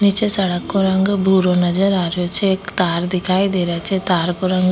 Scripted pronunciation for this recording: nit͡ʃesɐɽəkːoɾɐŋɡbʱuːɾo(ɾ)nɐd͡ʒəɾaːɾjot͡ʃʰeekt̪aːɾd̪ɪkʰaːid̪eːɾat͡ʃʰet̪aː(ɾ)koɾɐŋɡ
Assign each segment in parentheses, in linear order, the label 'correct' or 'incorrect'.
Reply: incorrect: none, correct

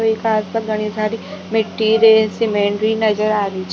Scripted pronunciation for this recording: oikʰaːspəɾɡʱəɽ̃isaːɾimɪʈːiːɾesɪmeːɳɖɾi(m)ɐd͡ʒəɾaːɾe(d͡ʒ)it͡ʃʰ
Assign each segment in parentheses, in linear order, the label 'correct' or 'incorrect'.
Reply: incorrect: n, incorrect: none

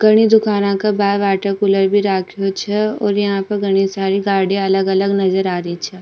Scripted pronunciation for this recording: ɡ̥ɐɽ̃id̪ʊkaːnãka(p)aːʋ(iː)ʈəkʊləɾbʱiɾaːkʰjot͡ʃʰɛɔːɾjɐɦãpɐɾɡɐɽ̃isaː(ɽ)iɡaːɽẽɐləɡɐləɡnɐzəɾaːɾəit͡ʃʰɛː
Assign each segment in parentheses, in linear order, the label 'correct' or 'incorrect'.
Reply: incorrect: b, incorrect: aː, incorrect: ɾ

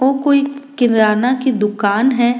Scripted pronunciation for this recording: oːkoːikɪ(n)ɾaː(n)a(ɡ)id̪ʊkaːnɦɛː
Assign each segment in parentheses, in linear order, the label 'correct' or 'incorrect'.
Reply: correct, correct, incorrect: k

